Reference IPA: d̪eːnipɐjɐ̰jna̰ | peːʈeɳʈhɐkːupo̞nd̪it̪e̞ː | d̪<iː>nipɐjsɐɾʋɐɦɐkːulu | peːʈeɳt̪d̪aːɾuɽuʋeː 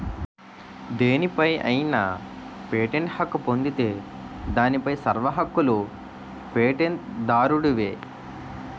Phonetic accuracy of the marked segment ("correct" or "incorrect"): incorrect